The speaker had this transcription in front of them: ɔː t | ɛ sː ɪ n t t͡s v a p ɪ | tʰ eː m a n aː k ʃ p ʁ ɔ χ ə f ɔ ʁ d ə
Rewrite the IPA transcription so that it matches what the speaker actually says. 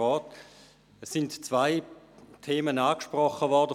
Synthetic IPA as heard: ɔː t | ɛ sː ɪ n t t͡s v a ɪ | tʰ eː m ə n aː k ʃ p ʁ ɔ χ ə v ɔ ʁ d ə

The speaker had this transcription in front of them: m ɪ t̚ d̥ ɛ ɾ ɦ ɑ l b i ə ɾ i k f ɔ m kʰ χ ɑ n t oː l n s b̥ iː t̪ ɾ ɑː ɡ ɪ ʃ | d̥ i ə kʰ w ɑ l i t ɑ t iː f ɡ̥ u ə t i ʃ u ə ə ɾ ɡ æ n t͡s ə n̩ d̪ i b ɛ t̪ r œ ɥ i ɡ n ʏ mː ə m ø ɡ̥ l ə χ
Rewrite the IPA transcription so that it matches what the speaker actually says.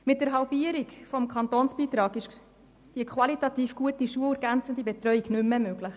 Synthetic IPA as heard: m ɪ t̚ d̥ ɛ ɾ ɦ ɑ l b i ə ɾ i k f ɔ m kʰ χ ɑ n t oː n s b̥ iː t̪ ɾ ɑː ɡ ɪ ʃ | d̥ i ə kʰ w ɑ l i t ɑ t iː f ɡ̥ u ə t i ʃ u ə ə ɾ ɡ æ n t͡s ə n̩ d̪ i b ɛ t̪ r œ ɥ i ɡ n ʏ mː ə m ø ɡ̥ l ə χ

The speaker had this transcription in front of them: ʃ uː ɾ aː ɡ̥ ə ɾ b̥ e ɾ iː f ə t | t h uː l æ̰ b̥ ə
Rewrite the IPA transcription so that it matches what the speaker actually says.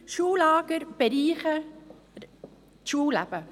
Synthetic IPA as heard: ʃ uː l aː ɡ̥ ə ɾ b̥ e ɾ iː χ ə | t ʃ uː l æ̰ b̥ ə

